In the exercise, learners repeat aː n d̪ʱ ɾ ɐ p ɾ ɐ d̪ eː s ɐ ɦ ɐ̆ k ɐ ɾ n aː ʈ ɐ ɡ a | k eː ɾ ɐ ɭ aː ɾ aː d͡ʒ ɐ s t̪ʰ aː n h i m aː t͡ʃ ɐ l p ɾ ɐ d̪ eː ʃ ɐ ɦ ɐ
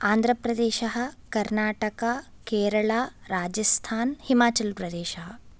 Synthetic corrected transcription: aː n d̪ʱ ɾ ɐ p ɾ ɐ d̪ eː ʃ ɐ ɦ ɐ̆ k ɐ ɾ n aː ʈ ɐ k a | k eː ɾ ɐ ɭ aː ɾ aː d͡ʒ ɐ s t̪ʰ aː n h i m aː t͡ʃ ɐ l p ɾ ɐ d̪ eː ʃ ɐ ɦ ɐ